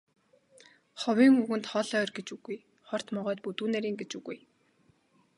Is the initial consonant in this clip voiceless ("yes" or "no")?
yes